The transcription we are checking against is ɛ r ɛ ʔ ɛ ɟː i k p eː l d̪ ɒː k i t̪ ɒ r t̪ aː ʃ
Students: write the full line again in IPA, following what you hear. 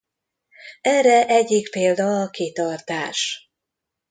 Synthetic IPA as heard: ɛ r ɛ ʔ ɛ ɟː i k p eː l d̪ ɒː k i t̪ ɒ r t̪ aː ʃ